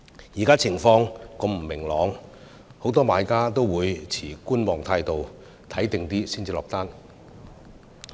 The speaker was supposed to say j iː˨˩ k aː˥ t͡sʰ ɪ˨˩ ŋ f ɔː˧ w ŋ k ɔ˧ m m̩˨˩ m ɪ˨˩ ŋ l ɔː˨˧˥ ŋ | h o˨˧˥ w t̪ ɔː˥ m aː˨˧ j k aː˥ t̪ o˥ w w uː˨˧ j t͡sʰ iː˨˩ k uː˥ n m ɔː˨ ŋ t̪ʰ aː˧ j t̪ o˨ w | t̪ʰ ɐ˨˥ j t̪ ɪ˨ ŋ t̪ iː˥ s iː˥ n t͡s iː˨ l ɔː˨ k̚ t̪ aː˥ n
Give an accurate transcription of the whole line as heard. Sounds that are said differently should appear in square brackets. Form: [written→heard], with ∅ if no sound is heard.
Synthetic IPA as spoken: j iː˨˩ k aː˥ t͡sʰ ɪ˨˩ ŋ f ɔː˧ [w→∅] ŋ k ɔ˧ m m̩˨˩ m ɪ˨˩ ŋ l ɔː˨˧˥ ŋ | h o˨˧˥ w t̪ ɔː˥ m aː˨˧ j k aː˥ t̪ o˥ w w uː˨˧ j t͡sʰ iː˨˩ k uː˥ n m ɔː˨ ŋ t̪ʰ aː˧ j t̪ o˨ w | t̪ʰ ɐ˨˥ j t̪ ɪ˨ ŋ t̪ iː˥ s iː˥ n t͡s iː˨ l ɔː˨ k̚ t̪ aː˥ n